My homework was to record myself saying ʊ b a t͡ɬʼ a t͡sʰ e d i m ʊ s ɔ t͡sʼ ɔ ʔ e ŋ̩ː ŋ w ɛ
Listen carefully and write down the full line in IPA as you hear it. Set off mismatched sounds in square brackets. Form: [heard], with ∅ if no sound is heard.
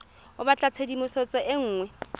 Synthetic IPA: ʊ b a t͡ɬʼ a t͡sʰ e d i m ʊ s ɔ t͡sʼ ɔ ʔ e ŋ̩ː ŋ w ɛ

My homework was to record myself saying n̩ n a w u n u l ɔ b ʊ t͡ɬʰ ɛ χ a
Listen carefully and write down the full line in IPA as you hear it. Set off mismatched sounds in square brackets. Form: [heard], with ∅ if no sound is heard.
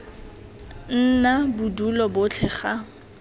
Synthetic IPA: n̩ n a [b] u [d] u l ɔ b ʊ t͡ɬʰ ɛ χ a

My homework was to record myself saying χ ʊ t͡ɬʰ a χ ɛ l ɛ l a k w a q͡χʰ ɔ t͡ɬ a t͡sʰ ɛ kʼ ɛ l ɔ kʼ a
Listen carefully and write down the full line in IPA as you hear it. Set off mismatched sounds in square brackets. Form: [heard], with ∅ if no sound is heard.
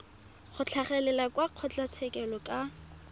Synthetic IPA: χ ʊ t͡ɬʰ a χ ɛ l ɛ l a k w a q͡χʰ ɔ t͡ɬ a t͡sʰ ɛ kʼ ɛ l ɔ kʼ a

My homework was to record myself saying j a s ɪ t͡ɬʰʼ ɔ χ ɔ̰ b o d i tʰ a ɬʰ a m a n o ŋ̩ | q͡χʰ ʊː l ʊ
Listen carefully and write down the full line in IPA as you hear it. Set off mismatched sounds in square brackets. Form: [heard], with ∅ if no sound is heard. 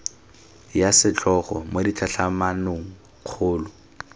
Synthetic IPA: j a s ɪ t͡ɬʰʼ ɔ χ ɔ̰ [m] o d i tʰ a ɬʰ a m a n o ŋ̩ | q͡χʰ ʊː l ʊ

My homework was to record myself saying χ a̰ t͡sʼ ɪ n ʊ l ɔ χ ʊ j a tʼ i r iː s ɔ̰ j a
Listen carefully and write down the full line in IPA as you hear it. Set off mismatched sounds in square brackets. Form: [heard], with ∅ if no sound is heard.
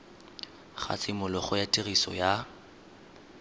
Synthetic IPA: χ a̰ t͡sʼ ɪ [m] ʊ l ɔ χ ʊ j a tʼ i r [i] s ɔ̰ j a

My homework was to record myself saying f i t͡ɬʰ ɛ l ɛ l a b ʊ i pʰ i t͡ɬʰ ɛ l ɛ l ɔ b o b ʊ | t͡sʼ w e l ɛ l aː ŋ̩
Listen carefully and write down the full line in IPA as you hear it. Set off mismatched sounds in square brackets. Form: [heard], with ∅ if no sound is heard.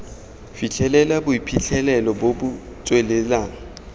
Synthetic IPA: f i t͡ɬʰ ɛ l ɛ l a b ʊ i pʰ i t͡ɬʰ ɛ l ɛ l ɔ b o b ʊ | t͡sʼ w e l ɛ l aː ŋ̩

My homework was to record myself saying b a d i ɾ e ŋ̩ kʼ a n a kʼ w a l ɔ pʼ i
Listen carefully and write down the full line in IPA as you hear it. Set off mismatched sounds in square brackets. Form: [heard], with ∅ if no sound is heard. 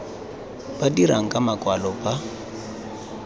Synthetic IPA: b a d i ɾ [a] ŋ̩ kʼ a [m] a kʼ w a l ɔ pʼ [a]

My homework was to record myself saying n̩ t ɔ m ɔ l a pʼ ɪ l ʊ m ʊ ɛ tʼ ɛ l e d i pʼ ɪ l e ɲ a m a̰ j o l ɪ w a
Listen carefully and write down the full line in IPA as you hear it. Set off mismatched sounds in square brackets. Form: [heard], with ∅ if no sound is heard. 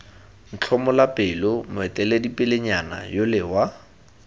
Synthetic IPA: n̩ [t͡ɬʰ] ɔ m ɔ l a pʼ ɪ l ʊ m ʊ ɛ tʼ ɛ l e d i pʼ ɪ l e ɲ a [n] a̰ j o l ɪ w a

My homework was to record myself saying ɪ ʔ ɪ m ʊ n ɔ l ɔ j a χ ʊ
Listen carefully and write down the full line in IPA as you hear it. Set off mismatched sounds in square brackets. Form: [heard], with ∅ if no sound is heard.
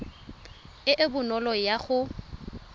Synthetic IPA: ɪ ʔ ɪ [b] ʊ n ɔ l ɔ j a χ ʊ

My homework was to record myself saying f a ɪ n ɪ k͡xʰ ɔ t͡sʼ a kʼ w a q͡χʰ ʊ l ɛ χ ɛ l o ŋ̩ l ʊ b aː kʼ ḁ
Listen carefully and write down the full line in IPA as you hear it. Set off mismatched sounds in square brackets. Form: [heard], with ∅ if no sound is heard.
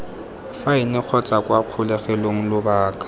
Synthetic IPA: f a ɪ n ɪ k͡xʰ ɔ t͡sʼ a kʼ w a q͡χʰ ʊ l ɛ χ ɛ l o ŋ̩ l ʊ b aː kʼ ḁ

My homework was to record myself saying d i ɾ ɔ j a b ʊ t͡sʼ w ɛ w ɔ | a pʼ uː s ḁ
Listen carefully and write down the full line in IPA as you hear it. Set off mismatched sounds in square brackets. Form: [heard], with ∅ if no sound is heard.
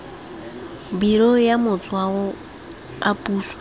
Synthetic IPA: [b] i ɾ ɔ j a [m] ʊ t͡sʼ w [a] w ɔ | a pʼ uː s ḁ

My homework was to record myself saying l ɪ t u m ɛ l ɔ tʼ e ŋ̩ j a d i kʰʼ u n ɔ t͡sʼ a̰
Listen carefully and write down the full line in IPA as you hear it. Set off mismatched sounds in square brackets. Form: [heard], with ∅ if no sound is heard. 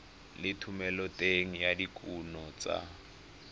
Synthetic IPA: l ɪ [tʰ] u m ɛ l ɔ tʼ e ŋ̩ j a d i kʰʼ u n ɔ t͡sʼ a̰

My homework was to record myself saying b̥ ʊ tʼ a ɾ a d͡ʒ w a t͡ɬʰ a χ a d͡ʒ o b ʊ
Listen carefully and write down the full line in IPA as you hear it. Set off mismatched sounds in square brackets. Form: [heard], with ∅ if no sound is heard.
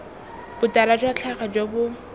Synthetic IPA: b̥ ʊ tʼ a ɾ a d͡ʒ w a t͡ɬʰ a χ a d͡ʒ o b ʊ

